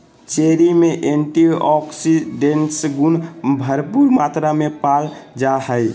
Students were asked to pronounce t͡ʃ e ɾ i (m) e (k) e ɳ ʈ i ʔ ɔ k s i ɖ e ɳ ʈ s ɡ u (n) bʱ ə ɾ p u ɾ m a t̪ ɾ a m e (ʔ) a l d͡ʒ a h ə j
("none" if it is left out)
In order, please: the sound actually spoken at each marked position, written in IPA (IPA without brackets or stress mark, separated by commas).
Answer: m, ʔ, n, p